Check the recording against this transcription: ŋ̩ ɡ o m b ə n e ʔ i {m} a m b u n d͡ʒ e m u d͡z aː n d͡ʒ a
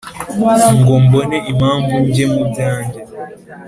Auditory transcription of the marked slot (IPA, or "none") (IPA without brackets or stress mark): m